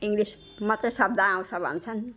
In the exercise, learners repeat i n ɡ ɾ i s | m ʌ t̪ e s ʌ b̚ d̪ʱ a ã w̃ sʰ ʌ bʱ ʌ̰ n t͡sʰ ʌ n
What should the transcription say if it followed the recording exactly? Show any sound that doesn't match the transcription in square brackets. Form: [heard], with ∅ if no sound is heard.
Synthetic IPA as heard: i [ŋ] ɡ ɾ i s | m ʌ t̪ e s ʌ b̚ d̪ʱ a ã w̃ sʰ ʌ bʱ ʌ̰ n t͡sʰ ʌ n